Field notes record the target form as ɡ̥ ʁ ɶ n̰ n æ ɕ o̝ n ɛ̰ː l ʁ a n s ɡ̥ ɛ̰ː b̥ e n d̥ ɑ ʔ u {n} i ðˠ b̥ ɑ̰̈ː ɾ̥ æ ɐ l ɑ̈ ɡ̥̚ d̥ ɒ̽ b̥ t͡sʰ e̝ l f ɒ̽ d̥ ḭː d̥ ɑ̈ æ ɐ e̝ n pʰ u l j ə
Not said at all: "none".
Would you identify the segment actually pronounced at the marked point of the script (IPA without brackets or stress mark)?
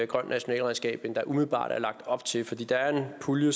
m